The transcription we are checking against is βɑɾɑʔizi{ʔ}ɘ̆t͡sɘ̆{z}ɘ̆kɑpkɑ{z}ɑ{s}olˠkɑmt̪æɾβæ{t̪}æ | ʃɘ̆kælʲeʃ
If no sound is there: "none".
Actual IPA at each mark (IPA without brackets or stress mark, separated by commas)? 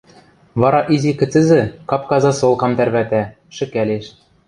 k, z, z, s, t̪